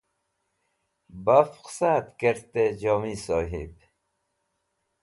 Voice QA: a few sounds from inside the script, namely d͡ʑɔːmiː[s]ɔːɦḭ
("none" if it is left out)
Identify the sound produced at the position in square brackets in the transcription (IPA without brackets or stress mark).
s